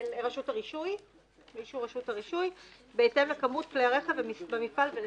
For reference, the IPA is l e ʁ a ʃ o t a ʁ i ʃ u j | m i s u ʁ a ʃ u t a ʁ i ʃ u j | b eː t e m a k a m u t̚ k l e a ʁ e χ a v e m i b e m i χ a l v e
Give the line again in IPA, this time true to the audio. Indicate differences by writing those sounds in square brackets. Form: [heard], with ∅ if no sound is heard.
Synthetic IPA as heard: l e ʁ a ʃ [u] t a ʁ i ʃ u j | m i [ʃ] u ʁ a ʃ u t a ʁ i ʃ u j | b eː t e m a k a m u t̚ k l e a ʁ e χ a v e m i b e m i [f] a l v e